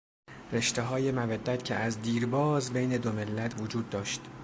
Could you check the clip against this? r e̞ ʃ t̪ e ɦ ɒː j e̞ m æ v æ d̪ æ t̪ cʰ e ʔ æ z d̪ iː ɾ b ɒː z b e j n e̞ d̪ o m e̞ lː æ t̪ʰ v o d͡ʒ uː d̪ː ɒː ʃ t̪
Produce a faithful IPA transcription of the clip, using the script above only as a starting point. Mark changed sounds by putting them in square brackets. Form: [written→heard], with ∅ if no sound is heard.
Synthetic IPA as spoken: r e̞ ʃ t̪ e ɦ ɒː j e̞ m æ v æ [d̪→d̪ː] æ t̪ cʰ e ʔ æ z d̪ iː ɾ b ɒː z b e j n e̞ d̪ o m e̞ lː æ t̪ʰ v o d͡ʒ uː d̪ː ɒː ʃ t̪